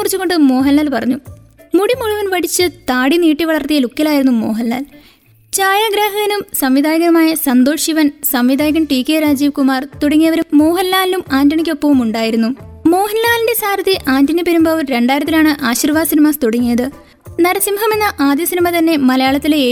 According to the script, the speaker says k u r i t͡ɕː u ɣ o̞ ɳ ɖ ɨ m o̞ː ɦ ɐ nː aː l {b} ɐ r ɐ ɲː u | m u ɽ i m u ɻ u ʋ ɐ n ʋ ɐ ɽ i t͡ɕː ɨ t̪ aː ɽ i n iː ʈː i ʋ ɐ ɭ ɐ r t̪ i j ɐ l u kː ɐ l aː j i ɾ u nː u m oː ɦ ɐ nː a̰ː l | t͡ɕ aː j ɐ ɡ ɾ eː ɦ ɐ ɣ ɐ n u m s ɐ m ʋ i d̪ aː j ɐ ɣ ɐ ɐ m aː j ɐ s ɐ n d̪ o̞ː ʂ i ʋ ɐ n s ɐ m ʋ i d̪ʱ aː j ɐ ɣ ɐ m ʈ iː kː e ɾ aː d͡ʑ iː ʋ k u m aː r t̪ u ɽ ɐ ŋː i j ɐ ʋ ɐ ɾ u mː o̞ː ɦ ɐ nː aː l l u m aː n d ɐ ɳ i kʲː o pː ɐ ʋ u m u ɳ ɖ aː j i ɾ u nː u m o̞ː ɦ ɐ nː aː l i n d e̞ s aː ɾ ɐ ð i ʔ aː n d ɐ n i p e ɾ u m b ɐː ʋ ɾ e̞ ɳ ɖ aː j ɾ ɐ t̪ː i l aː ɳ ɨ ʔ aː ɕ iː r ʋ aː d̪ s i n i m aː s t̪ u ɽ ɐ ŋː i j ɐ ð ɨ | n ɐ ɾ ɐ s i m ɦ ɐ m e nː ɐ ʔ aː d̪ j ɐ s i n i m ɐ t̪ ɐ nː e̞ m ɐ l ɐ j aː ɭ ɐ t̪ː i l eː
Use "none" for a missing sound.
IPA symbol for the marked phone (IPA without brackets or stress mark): p